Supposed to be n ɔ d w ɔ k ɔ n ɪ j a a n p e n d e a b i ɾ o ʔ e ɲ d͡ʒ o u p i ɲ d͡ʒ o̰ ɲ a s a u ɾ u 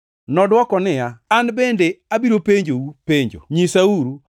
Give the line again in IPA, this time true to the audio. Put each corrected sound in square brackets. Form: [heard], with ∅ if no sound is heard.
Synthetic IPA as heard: n ɔ d w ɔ k ɔ n ɪ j a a n [b] e n d e a b i ɾ o [p] e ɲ d͡ʒ o u p [e] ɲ d͡ʒ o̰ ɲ [i] s a u ɾ u